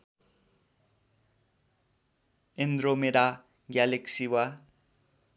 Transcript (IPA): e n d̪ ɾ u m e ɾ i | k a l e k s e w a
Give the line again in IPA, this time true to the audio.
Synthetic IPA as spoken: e n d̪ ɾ o m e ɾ a | ɡ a l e k s i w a